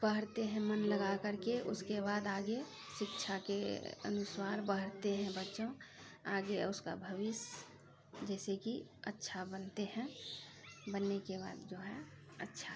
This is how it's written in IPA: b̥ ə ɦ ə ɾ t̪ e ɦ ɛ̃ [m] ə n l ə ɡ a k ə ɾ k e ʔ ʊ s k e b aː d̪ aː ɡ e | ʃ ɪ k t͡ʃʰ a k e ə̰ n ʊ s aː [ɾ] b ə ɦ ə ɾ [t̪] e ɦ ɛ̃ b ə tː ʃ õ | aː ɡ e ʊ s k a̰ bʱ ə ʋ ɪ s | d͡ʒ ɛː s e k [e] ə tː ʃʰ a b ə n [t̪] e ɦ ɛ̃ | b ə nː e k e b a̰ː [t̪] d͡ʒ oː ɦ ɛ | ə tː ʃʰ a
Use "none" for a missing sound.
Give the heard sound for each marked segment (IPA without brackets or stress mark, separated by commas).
m, ɾ, t̪, i, t̪, d̪